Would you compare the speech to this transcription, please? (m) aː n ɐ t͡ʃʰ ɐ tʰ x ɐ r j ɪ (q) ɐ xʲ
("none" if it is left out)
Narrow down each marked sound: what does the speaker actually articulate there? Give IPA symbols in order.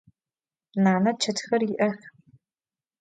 n, ʔ

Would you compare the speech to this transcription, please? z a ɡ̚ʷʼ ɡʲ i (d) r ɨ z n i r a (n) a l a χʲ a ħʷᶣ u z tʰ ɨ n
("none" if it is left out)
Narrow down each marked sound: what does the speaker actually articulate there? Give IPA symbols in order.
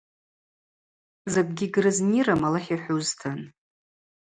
ɡ, m

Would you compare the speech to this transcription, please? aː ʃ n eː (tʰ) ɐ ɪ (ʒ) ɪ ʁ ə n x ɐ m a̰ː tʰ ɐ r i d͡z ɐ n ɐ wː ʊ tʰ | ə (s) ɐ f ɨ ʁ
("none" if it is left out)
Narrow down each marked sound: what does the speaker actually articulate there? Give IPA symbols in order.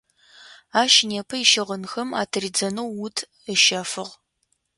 pʰ, ʃ, ʃ

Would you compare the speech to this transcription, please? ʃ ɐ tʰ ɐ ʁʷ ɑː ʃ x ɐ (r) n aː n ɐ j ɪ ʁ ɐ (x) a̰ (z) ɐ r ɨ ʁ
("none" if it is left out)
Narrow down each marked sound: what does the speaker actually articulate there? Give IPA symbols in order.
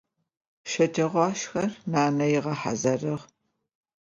r, ħ, z

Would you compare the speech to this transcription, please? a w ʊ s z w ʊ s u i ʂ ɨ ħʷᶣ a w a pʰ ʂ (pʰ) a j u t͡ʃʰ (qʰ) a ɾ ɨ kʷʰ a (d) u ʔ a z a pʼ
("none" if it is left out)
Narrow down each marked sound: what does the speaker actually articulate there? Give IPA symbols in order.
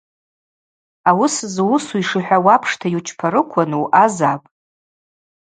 tʰ, pʰ, n

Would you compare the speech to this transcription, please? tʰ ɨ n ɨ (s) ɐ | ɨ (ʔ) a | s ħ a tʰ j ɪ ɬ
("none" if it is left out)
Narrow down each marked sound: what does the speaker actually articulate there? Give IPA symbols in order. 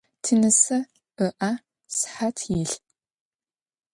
s, ʔ

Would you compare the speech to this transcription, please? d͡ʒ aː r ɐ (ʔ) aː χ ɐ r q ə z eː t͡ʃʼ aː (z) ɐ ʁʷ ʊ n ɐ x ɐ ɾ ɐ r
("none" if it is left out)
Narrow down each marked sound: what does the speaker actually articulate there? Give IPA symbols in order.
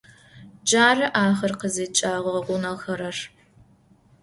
ʔ, ʁ

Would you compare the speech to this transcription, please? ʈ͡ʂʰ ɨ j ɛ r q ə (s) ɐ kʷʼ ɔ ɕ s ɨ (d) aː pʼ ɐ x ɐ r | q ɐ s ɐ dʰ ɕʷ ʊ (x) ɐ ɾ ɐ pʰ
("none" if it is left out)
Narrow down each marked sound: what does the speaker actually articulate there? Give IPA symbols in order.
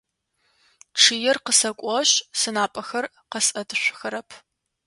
s, n, x

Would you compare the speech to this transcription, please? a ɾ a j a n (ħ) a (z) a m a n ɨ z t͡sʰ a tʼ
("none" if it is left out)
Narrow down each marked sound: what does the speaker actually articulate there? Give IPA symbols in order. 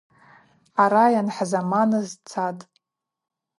ħ, z

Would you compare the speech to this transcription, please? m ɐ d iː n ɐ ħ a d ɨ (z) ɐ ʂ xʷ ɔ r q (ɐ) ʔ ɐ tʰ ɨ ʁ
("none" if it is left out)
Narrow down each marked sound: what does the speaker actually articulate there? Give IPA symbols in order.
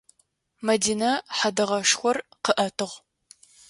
ʁ, ə

